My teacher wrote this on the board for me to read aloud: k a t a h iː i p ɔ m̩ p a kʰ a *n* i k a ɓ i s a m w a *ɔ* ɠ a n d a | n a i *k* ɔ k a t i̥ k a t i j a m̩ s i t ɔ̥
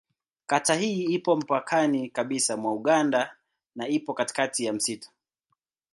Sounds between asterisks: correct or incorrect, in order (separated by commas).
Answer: correct, incorrect, incorrect